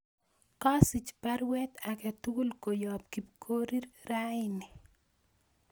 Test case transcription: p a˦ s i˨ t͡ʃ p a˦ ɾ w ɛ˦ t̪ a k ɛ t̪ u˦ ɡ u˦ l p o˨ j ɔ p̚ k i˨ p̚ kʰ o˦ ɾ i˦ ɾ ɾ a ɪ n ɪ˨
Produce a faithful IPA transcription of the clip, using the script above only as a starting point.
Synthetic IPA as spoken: k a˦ s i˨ t͡ʃ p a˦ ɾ w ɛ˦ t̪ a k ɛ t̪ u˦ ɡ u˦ l k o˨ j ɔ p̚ k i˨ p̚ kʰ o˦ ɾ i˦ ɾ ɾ a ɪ n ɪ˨

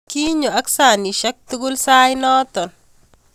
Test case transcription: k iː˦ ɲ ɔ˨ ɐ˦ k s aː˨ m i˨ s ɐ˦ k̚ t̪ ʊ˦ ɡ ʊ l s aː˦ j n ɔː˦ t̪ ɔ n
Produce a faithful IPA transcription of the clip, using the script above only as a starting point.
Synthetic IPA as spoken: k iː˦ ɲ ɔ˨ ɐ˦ k s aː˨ n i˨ ʃ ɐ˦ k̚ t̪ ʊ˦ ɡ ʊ l s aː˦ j n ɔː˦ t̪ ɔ n

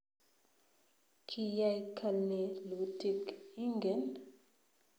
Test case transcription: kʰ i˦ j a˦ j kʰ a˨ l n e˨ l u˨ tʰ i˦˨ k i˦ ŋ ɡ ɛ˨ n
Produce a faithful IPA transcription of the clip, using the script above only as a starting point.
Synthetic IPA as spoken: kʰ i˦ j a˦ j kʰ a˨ l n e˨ l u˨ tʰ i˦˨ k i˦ ŋ ɡ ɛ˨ n

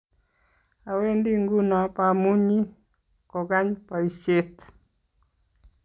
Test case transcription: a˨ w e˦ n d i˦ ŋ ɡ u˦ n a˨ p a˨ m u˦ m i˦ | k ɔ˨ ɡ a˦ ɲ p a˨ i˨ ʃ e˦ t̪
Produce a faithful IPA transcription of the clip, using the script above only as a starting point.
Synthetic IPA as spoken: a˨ w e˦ n d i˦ ŋ ɡ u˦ n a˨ p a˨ m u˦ ɲ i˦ | k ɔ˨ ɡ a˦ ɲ p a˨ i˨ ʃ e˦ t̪

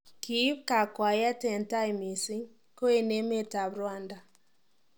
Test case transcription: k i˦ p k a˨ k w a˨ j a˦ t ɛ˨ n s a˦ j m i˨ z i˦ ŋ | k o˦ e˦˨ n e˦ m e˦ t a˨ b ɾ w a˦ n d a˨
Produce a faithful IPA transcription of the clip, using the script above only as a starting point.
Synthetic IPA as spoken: k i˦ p k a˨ k w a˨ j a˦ t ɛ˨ n t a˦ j m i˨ s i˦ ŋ | k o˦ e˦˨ n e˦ m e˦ t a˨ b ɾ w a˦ n d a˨

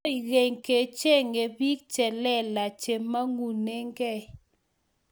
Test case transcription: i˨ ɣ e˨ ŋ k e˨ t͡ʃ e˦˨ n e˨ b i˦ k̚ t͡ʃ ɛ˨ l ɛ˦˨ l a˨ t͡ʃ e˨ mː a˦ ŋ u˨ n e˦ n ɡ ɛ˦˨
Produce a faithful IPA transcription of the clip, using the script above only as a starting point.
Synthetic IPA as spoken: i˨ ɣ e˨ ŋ k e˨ t͡ʃ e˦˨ ŋ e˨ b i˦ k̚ t͡ʃ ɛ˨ l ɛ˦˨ l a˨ t͡ʃ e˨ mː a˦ ŋ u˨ n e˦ ŋ ɡ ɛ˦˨

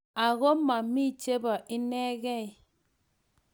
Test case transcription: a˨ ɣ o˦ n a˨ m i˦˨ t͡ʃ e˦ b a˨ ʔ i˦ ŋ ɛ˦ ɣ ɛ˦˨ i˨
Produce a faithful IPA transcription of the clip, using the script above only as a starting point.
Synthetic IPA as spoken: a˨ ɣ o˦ m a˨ m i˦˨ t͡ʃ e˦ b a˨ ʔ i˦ n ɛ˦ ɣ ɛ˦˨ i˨

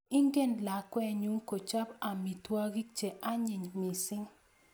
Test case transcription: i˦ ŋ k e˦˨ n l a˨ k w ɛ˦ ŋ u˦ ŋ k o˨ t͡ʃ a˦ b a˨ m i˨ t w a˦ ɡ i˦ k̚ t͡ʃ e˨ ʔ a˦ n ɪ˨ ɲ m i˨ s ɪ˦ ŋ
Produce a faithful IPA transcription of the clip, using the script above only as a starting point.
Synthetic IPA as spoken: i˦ ŋ ɡ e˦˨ n l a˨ k w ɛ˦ ɲ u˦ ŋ k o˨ t͡ʃ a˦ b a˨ m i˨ t w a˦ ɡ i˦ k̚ t͡ʃ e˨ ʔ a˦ ɲ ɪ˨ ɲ m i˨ s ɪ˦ ŋ

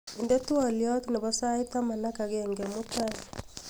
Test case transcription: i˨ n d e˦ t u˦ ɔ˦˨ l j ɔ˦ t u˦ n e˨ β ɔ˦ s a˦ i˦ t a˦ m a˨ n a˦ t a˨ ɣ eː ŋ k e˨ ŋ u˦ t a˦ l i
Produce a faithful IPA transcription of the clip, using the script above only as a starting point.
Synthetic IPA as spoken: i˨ n d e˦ t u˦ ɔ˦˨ l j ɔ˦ t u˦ n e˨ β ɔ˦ s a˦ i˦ t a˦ m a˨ n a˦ k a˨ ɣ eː ŋ ɡ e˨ m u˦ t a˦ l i

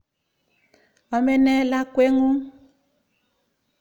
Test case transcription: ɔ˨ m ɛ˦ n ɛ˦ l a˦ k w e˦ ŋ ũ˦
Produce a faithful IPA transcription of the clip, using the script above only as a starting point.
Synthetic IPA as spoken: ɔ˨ m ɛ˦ n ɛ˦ l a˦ k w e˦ ŋ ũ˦

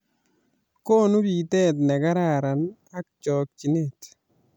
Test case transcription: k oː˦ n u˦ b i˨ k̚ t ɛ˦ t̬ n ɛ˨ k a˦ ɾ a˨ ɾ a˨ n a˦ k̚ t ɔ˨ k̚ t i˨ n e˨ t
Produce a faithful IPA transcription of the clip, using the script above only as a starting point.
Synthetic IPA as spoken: k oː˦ n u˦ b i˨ t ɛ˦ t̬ n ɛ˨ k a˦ ɾ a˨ ɾ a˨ n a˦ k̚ t͡ʃ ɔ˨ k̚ t͡ʃ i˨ n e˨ t

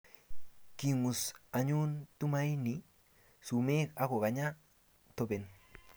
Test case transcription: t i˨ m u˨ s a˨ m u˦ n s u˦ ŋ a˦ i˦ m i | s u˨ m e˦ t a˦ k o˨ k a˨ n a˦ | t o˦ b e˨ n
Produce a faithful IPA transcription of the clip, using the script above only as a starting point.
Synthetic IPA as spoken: k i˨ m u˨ s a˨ ɲ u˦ n t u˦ m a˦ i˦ n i | s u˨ m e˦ k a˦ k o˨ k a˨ ɲ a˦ | t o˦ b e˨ n

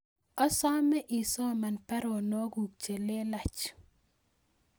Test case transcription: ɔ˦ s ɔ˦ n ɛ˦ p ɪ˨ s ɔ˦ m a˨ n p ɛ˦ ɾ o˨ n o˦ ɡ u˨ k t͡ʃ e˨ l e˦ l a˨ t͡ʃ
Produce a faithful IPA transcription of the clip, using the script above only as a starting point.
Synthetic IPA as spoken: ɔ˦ s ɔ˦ m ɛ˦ ʔ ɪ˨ s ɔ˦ m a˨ n p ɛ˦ ɾ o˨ n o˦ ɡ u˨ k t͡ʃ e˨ l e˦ l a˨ t͡ʃ

